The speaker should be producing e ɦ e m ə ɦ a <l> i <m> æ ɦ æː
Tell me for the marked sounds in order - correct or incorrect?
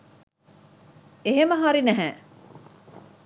incorrect: ɾ, incorrect: n

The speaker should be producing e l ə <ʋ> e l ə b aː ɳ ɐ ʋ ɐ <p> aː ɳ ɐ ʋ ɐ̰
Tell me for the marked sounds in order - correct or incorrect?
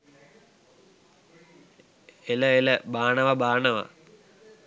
incorrect: none, incorrect: b

